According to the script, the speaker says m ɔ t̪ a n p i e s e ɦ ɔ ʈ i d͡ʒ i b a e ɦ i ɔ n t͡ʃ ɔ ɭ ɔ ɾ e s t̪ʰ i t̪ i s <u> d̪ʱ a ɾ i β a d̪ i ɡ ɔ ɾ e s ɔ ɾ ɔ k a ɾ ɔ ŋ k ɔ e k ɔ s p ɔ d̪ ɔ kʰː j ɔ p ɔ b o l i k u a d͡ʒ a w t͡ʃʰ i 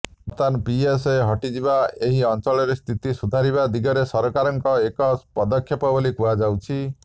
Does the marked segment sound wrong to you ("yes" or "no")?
no